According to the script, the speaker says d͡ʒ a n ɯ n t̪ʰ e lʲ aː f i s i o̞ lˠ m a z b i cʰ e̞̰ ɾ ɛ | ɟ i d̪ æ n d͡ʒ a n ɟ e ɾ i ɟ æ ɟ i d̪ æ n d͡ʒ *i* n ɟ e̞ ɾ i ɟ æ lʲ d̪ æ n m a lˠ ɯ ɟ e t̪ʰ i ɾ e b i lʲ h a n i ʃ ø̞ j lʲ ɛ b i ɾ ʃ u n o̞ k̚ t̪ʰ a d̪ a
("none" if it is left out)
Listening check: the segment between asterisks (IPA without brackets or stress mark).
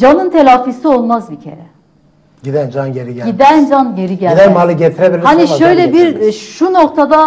a